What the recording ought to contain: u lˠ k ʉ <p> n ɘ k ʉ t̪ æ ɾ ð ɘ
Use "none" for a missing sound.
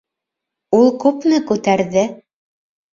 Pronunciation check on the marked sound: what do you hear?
p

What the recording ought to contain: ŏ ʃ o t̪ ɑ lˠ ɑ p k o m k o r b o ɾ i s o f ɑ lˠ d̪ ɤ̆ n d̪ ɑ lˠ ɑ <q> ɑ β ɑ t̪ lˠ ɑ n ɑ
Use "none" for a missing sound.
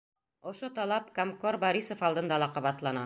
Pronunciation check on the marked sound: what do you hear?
q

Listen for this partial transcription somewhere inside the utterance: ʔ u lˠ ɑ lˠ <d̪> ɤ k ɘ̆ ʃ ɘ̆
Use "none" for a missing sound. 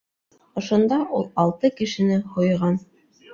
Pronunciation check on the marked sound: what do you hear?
t̪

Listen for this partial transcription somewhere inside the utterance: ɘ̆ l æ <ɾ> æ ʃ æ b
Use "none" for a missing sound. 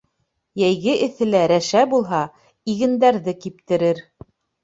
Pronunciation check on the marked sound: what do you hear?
ɾ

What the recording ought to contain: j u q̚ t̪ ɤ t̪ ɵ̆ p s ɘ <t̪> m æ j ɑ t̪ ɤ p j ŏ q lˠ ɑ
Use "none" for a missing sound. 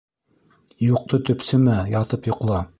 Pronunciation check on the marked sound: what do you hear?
none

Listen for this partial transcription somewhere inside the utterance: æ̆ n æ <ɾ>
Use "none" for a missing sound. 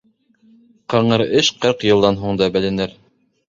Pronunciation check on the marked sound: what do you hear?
ɾ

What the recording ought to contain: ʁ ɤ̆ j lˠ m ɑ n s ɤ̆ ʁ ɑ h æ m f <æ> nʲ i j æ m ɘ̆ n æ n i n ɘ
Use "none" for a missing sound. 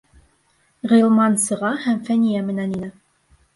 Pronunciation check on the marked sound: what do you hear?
æ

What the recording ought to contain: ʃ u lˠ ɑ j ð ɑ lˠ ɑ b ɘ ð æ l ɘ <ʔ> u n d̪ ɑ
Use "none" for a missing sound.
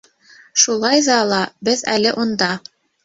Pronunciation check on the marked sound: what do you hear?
ʔ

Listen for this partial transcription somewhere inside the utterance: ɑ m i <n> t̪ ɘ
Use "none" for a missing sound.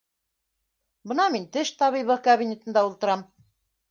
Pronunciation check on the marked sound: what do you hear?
n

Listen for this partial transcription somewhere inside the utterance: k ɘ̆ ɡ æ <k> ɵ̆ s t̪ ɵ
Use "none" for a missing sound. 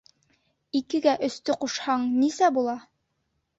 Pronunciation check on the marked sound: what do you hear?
ʔ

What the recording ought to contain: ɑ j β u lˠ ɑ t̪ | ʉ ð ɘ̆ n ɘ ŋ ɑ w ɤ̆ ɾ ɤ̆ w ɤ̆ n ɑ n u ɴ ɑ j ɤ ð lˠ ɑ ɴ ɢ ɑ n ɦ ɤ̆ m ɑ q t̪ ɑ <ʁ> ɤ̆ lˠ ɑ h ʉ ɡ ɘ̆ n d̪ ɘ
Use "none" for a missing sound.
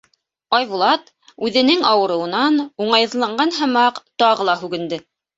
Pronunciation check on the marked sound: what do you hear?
ʁ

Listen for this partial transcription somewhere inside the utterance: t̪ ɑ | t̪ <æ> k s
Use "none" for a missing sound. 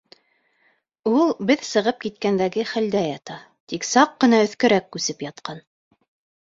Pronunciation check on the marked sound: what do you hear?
i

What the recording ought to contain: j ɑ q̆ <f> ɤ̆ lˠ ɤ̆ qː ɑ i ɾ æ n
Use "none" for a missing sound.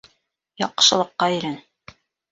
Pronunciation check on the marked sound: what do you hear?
ʃ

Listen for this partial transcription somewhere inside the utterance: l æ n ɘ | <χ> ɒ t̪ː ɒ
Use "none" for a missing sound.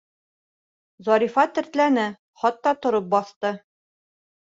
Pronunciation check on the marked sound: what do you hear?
χ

